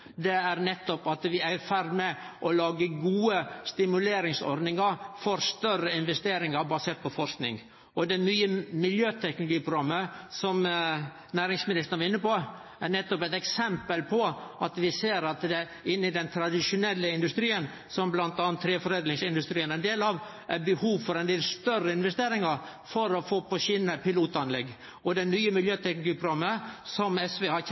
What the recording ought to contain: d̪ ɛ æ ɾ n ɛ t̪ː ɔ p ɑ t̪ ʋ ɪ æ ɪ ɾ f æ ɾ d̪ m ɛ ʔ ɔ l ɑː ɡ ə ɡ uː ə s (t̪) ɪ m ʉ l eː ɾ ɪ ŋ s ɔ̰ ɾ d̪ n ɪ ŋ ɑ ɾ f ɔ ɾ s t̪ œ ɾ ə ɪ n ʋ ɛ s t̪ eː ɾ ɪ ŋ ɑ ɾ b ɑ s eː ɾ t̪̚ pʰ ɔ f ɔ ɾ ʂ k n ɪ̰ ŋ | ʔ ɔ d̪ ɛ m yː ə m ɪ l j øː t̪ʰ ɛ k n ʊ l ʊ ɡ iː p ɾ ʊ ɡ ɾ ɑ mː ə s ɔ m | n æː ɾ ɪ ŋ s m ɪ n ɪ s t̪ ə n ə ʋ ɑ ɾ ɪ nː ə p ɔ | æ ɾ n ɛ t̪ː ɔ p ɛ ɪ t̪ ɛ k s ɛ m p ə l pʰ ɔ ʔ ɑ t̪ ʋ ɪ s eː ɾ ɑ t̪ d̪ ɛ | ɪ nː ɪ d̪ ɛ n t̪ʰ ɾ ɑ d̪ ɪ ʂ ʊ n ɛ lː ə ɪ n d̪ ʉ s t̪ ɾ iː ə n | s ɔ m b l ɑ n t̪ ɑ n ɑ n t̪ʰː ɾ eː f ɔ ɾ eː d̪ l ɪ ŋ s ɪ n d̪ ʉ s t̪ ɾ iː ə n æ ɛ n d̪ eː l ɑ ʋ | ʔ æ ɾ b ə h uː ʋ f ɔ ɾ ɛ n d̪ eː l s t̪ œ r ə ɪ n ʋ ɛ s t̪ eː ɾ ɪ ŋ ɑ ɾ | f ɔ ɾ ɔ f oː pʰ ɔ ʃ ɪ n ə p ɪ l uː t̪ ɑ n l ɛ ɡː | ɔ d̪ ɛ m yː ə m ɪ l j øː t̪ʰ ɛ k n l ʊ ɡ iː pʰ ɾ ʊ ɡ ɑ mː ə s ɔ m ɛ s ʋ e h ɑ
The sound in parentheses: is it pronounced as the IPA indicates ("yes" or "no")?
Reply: yes